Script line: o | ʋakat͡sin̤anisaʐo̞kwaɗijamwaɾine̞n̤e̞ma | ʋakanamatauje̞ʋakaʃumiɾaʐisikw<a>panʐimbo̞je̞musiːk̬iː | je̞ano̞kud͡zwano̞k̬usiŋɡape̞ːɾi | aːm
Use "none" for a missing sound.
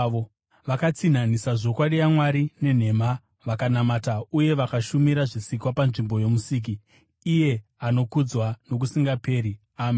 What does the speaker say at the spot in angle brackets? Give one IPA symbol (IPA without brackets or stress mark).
a